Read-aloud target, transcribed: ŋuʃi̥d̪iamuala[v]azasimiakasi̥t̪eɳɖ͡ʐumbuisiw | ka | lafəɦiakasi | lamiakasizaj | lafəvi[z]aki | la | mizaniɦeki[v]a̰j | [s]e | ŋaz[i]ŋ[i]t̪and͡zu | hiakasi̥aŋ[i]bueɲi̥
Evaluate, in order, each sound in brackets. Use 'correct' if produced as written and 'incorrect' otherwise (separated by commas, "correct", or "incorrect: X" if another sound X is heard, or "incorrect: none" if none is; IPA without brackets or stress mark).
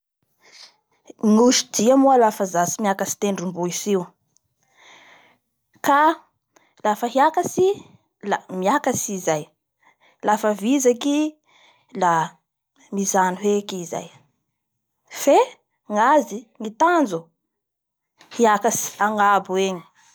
incorrect: f, correct, incorrect: z, incorrect: f, correct, correct, incorrect: a